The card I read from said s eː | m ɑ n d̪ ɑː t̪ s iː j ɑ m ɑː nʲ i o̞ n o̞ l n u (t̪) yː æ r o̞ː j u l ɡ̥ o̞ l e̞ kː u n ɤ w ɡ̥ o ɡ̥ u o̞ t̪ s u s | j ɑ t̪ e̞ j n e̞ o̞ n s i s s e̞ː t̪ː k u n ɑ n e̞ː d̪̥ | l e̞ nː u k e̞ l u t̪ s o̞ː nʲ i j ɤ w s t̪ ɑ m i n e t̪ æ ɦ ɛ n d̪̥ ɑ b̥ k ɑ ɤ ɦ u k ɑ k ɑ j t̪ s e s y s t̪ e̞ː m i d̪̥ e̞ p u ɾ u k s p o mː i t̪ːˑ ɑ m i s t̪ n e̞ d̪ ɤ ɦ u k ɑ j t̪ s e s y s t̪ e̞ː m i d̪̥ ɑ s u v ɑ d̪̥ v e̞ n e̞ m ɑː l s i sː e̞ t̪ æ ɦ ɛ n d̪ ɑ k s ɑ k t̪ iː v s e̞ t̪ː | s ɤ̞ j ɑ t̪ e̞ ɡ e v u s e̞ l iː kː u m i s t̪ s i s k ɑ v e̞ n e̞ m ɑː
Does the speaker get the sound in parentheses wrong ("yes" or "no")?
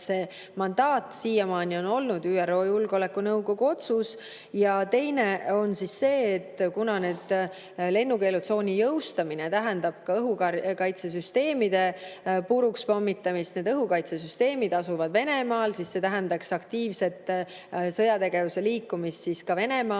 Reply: yes